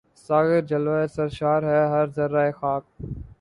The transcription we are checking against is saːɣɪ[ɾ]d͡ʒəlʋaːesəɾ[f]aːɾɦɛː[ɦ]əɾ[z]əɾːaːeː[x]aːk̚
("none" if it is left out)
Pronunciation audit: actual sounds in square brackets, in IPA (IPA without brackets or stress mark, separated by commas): ɾ, ʃ, ɦ, z, x